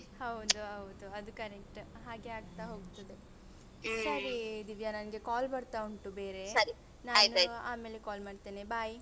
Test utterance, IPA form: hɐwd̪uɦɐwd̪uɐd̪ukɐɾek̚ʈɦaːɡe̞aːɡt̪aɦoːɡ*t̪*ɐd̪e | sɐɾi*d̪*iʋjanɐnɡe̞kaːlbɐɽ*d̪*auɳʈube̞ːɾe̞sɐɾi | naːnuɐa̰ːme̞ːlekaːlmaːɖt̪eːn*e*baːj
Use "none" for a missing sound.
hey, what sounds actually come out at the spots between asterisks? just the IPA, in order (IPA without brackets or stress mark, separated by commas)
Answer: t̪, d̪, t̪, e